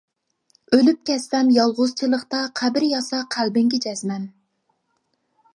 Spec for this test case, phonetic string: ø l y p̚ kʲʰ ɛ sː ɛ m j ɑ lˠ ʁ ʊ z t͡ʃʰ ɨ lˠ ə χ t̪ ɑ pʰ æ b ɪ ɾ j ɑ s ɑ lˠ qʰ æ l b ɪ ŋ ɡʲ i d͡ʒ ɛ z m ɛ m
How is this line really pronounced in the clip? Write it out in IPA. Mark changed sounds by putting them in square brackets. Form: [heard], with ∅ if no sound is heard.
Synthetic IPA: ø l y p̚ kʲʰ ɛ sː ɛ m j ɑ lˠ ʁ ʊ z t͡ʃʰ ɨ lˠ ə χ t̪ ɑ [qʰ] æ b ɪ ɾ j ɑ s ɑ [∅] qʰ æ l b ɪ ŋ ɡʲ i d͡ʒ ɛ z m ɛ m